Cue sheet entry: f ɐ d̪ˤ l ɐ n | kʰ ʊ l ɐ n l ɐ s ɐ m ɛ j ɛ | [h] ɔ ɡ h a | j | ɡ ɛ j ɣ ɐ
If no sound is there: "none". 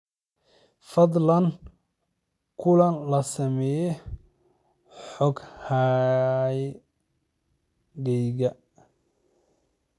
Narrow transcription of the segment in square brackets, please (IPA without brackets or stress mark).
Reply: ħ